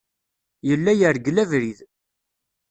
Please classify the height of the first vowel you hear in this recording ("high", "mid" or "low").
mid